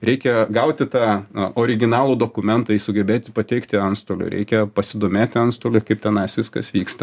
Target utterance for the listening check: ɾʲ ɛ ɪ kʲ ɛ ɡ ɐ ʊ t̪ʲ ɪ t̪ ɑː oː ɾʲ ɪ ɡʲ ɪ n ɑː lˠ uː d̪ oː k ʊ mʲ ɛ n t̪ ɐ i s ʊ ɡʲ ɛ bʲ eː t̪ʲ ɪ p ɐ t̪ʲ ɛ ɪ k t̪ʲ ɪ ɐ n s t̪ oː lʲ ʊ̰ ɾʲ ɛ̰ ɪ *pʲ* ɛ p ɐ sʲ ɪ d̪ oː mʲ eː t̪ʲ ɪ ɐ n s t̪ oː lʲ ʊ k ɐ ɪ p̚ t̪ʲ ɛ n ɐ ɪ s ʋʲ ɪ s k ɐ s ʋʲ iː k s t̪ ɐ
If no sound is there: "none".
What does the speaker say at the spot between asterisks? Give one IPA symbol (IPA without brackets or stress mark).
kʲ